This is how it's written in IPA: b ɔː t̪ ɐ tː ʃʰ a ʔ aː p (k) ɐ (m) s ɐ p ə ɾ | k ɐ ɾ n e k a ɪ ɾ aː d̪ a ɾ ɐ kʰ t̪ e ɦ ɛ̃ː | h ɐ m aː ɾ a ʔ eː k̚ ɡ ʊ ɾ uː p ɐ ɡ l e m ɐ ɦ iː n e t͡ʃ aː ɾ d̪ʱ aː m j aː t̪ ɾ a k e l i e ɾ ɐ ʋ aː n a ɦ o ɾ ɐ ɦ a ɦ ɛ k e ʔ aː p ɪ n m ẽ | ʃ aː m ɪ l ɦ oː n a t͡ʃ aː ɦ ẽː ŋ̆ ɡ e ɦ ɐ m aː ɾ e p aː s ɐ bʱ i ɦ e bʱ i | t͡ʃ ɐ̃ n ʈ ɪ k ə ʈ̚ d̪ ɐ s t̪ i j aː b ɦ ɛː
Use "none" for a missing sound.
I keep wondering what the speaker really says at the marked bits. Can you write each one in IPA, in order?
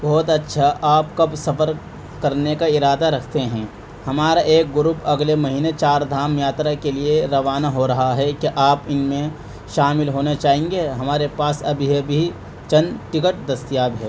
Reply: k, b

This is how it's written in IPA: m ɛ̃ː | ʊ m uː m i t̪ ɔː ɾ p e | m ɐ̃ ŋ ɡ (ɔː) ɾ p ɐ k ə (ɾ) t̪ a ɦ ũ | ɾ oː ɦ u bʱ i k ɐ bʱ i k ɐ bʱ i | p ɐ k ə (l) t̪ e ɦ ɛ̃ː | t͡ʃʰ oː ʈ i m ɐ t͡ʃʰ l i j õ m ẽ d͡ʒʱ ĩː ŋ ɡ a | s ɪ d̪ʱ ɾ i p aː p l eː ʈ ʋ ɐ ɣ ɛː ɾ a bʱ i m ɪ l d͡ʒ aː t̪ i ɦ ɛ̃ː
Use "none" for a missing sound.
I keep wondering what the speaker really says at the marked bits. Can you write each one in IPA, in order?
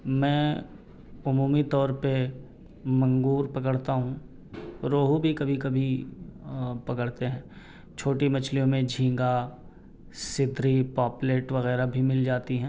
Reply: uː, ɽ, ɽ

